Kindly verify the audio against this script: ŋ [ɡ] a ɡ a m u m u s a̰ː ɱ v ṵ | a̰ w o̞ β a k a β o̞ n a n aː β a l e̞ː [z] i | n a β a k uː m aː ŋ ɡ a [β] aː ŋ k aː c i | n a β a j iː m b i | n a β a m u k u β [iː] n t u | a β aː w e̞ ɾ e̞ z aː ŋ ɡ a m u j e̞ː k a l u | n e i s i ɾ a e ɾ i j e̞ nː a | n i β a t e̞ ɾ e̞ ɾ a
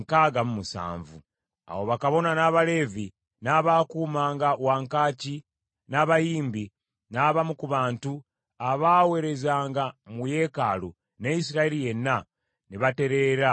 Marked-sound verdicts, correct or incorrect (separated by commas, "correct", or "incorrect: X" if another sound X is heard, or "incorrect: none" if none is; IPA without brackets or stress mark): incorrect: k, incorrect: v, incorrect: w, incorrect: aː